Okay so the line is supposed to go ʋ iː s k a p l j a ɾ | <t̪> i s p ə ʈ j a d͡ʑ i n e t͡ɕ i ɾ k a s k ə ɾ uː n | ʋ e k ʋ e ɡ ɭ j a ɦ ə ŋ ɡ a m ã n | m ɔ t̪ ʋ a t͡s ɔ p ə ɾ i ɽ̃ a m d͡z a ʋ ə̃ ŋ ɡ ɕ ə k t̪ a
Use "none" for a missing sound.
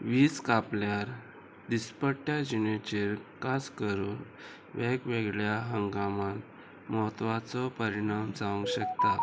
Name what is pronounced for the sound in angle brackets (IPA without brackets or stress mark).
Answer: d̪